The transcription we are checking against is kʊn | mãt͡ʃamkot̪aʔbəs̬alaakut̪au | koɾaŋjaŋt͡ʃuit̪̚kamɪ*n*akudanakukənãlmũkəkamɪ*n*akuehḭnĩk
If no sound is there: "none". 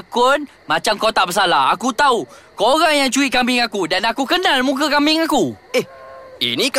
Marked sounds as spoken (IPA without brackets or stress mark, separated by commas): ŋ, ŋ